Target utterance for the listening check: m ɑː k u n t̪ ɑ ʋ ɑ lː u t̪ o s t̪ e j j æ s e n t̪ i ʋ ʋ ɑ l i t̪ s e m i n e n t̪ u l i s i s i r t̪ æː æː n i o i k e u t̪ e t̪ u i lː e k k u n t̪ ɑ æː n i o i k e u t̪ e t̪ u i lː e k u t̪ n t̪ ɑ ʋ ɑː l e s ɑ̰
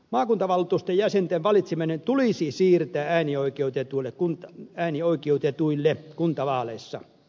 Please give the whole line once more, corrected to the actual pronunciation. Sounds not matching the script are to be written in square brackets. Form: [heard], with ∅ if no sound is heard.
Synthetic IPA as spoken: m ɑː k u n t̪ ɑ ʋ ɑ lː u t̪ [u] s t̪ e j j æ s e n t̪ [e] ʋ ʋ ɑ l i t̪ s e m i n e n t̪ u l i s i s [iː] r t̪ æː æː n i o i k e u t̪ e t̪ u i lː e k k u n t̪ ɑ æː n i o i k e u t̪ e t̪ u i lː e k u [∅] n t̪ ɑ ʋ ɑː l e [sː] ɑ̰